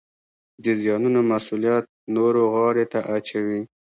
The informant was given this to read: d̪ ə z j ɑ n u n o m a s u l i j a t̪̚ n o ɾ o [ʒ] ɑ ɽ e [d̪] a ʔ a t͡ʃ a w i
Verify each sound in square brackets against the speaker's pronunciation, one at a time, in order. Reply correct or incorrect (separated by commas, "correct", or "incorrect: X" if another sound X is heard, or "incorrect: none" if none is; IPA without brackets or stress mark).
incorrect: ɣ, incorrect: t̪